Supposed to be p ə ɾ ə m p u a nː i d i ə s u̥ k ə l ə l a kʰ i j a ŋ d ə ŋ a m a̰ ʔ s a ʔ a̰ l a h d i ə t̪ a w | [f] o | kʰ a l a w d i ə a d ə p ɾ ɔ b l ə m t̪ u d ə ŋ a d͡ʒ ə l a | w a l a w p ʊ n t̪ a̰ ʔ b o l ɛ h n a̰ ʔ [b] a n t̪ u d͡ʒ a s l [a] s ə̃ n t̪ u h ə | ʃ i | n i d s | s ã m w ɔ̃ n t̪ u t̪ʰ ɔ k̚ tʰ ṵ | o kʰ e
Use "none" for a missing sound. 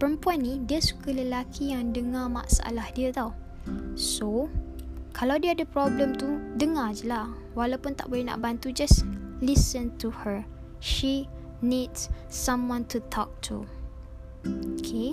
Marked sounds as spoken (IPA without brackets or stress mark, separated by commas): s, b, i